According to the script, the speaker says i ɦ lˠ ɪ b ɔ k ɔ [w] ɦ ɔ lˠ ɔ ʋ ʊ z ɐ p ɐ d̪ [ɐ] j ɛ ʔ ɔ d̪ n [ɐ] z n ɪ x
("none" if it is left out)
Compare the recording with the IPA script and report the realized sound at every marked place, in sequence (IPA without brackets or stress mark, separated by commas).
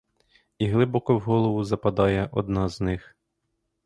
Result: w, ɑ, ɑ